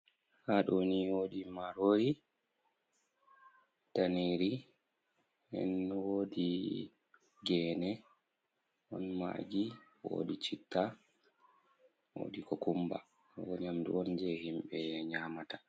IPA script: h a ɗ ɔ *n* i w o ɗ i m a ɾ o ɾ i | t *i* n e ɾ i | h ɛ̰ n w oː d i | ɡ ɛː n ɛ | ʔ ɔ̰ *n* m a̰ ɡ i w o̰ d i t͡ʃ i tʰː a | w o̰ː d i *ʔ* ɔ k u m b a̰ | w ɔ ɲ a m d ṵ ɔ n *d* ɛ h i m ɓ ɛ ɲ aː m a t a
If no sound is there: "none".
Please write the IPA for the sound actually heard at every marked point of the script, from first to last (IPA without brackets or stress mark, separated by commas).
n, a, n, k, d͡ʒ